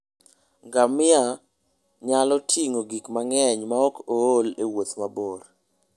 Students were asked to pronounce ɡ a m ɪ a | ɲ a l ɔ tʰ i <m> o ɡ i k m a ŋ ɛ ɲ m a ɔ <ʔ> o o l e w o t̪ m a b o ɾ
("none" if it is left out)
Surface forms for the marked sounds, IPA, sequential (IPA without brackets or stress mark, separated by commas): ŋ, k